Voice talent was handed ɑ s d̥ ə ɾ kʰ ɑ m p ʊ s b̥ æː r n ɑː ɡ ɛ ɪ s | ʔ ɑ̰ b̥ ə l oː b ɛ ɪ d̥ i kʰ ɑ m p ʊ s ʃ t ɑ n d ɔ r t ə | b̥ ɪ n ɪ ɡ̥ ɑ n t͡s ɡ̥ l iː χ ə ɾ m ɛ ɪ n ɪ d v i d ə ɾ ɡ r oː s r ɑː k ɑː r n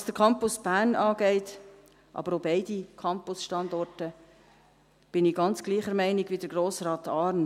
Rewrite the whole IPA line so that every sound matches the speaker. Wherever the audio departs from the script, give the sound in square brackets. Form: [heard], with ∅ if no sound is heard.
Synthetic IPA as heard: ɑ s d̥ ə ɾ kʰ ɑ m p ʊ s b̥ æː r n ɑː ɡ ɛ ɪ [t] | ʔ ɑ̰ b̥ ə [ɾ] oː b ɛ ɪ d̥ i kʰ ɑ m p ʊ s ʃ t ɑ n d ɔ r t ə | b̥ ɪ n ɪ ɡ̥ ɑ n t͡s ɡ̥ l iː χ ə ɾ m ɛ ɪ n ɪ [ɡ] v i d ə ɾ ɡ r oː s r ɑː [t] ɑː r n